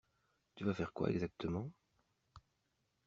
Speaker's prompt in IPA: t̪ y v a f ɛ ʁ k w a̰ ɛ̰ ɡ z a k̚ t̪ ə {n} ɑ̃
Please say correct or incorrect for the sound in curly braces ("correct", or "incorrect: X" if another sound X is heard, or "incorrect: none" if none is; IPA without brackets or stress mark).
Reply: incorrect: m